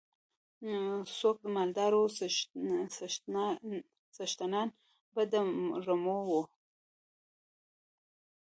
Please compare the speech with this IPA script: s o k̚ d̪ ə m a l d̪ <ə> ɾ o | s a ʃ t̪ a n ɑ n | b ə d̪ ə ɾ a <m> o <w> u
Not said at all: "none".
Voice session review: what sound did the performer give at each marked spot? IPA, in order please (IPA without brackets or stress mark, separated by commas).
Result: ɑ, m, w